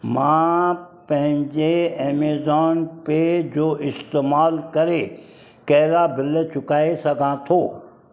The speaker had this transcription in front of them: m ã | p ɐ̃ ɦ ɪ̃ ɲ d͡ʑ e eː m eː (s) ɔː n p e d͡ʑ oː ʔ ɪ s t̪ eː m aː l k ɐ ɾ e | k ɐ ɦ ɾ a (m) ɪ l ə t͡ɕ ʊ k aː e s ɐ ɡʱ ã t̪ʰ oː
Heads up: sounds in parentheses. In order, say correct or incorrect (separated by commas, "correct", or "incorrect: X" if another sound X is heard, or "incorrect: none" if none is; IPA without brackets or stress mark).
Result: incorrect: z, incorrect: b